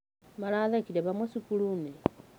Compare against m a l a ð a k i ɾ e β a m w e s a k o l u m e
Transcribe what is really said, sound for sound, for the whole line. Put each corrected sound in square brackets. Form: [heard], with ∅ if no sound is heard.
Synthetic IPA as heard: m a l a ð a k i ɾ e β a m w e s [i] k [u] l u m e